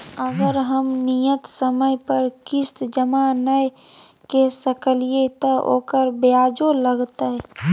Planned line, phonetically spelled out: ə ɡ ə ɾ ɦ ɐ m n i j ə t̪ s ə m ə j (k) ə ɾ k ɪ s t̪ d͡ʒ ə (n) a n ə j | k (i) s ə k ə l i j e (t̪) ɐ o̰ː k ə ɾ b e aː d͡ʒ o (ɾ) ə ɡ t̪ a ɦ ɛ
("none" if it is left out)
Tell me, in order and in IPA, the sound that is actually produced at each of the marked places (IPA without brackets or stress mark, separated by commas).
p, m, e, t̪, l